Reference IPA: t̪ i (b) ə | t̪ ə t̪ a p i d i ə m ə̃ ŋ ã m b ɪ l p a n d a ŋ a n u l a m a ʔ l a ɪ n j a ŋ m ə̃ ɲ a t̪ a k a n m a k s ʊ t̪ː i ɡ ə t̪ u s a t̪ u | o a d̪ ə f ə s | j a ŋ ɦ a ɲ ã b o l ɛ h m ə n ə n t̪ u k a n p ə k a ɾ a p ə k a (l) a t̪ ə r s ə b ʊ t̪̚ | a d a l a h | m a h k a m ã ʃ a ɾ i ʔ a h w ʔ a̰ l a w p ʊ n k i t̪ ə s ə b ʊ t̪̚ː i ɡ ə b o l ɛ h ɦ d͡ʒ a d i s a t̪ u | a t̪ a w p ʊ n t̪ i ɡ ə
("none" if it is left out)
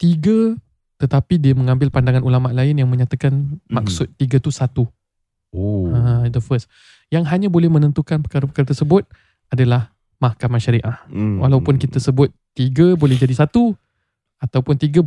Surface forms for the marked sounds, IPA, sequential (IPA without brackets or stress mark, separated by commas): ɡ, ɾ